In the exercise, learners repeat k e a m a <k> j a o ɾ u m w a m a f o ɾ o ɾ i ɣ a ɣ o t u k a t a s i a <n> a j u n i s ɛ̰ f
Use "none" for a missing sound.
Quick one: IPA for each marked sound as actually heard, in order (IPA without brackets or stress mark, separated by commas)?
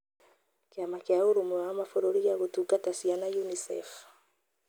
k, n